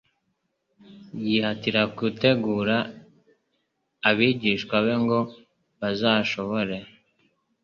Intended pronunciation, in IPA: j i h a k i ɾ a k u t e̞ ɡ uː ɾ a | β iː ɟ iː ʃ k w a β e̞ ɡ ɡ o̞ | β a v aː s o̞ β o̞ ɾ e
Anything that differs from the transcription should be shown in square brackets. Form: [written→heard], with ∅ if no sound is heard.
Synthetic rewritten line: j i h a [k→t] i ɾ a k u t e̞ ɡ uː ɾ a | β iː ɟ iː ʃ k w a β e̞ [ɡ→ŋ] ɡ o̞ | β a [v→z] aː [s→ʃ] o̞ β o̞ ɾ e